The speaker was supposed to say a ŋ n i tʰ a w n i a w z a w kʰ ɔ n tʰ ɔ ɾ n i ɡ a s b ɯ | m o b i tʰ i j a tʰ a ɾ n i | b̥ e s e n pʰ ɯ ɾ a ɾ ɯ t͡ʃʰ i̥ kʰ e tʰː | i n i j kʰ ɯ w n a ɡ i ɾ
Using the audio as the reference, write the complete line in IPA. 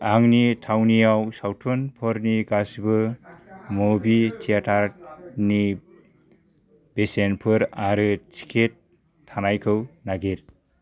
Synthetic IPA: a ŋ n i tʰ a w n i a w s a w tʰ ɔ n pʰ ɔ ɾ n i ɡ a s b ɯ | m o b i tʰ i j a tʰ a ɾ n i | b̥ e s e n pʰ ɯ ɾ a ɾ ɯ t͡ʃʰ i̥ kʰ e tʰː | a n a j kʰ ɯ w n a ɡ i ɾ